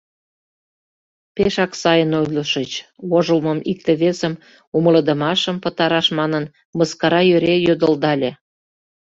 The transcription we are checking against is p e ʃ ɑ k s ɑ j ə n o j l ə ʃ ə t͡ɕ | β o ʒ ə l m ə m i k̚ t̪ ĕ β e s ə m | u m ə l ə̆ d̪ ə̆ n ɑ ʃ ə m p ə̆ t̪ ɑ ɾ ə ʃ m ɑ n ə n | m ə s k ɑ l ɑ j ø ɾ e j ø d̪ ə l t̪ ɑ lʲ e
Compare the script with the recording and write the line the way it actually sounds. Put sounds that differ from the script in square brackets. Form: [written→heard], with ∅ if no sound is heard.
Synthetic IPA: p e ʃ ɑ k s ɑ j ə n o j l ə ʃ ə t͡ɕ | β o ʒ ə l m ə m i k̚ t̪ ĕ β e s ə m | u m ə l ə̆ d̪ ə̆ [n→m] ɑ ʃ ə m p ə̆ t̪ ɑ ɾ [ə→ɑ] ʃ m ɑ n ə n | m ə s k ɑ [l→ɾ] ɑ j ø ɾ e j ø d̪ ə l [t̪→d̪] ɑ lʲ e